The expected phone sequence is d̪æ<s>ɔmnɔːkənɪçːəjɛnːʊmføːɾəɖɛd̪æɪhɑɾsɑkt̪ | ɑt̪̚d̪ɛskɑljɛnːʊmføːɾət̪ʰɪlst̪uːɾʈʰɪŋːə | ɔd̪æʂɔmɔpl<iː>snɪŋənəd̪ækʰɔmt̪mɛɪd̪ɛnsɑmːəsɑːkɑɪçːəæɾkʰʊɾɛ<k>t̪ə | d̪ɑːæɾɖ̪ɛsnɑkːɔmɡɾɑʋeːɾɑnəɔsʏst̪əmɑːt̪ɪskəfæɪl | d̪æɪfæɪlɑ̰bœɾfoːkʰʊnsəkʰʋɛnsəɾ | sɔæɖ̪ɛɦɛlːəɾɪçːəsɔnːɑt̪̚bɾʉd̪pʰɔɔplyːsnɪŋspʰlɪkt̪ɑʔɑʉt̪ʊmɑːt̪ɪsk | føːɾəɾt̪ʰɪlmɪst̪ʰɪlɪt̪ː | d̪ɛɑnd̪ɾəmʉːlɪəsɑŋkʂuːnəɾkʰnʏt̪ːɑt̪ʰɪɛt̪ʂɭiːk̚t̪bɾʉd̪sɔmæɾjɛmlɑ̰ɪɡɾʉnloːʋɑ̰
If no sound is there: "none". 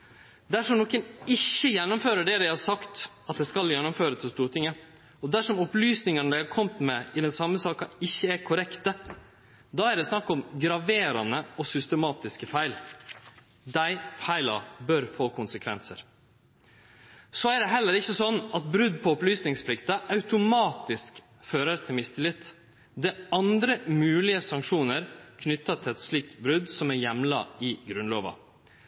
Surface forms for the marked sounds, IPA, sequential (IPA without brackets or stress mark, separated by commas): ʂ, yː, k